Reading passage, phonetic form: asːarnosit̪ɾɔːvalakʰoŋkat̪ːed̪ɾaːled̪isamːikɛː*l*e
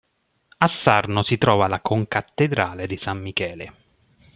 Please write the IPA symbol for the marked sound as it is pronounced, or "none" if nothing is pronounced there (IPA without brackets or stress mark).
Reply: l